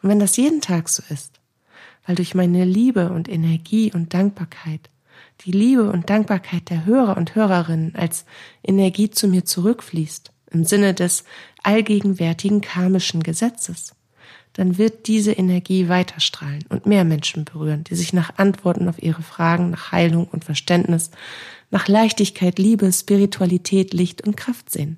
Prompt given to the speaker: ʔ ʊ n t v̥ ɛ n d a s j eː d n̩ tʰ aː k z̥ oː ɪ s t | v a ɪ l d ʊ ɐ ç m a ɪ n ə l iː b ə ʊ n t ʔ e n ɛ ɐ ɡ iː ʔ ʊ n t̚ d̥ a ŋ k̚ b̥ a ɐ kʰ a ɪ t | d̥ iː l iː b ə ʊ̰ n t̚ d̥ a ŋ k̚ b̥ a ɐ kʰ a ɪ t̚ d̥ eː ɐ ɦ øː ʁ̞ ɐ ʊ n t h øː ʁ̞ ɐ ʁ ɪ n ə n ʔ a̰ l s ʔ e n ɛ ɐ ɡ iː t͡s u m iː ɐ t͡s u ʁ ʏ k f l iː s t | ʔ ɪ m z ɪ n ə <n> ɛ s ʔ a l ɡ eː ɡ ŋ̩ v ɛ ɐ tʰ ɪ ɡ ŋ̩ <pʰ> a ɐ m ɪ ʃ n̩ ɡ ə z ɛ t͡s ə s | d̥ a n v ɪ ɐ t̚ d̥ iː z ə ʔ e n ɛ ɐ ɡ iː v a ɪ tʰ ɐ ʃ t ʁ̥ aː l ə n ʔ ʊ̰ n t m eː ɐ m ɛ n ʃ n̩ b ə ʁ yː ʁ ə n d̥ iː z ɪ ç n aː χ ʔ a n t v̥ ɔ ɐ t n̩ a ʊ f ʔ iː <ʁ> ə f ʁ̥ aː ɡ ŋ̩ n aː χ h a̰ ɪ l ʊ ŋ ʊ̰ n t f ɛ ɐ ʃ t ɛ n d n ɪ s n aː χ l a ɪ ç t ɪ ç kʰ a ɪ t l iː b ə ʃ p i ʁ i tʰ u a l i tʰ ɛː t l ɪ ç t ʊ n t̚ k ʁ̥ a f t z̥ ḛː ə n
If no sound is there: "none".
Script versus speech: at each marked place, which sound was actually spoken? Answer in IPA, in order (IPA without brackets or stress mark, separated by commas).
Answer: d, kʰ, ʁ